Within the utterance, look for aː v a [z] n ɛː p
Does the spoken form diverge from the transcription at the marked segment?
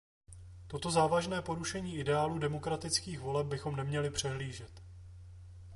yes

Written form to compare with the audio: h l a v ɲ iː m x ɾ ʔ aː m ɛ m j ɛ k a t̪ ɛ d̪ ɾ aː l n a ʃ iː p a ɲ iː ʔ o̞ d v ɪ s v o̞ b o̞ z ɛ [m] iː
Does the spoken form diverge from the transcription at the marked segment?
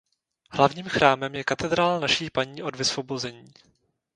yes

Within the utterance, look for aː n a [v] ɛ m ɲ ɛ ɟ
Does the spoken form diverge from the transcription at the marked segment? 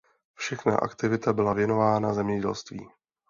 yes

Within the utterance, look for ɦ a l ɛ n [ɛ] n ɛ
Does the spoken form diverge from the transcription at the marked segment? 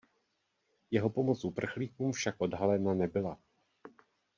yes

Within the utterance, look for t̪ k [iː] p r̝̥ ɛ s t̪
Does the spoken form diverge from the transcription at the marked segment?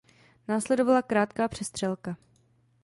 yes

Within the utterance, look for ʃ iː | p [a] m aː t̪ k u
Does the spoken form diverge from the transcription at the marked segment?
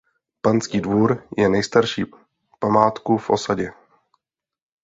no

